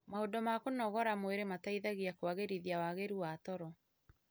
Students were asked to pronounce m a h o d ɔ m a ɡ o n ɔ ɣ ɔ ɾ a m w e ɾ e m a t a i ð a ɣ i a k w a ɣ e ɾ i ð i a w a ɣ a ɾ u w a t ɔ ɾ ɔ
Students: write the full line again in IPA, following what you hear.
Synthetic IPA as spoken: m a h o d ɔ m a k o n ɔ ɣ ɔ ɾ a m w e ɾ e m a t a i ð a ɣ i a k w a ɣ e ɾ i ð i a w a ɣ e ɾ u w a t ɔ ɾ ɔ